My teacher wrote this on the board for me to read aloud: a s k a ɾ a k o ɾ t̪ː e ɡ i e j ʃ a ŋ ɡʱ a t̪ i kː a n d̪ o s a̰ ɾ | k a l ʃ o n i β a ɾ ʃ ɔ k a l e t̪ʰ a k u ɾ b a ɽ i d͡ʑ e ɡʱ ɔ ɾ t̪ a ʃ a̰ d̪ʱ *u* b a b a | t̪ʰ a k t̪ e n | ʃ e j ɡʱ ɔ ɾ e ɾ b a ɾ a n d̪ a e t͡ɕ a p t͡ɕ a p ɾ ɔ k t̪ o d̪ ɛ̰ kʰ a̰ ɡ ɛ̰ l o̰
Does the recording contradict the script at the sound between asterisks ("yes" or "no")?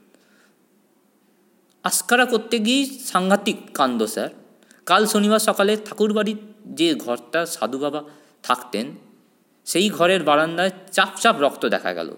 no